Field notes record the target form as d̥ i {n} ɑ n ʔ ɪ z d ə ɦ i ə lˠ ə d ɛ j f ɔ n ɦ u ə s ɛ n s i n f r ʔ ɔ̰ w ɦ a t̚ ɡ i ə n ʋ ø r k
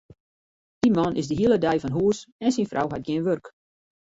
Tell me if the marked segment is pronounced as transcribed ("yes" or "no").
no